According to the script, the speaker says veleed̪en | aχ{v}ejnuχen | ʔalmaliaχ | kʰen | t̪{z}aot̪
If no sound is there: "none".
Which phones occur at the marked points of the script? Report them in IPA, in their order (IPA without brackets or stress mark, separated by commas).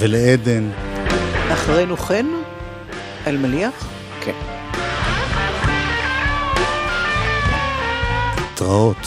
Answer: ʁ, ʁ